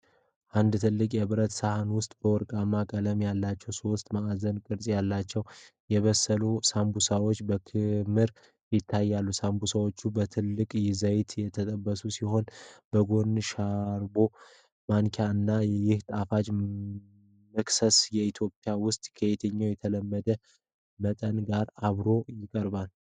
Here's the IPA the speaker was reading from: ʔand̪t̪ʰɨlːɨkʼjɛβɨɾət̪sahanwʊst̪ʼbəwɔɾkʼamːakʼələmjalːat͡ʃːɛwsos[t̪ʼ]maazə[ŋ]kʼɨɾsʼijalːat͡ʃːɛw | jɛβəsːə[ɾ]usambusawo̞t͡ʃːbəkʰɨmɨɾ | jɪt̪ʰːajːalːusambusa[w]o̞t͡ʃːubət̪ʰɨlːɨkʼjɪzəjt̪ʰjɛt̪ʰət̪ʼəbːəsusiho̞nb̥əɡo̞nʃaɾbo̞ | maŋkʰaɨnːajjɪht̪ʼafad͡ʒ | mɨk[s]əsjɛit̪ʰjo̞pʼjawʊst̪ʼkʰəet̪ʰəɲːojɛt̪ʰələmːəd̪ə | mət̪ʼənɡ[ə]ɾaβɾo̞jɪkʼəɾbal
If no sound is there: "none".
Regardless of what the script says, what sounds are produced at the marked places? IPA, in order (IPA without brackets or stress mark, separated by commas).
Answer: t̪ʼ, n, l, w, s, a